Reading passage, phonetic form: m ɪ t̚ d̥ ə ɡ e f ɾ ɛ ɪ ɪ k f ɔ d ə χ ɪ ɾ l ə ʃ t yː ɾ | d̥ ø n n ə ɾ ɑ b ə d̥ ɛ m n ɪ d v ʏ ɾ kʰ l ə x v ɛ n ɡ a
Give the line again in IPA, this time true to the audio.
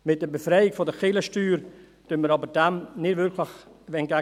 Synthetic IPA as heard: m ɪ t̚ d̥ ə b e f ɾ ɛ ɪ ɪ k f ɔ d ə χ ɪ l ə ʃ t yː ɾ | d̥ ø n m ə ɾ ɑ b ə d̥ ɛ m n ɪ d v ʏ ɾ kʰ l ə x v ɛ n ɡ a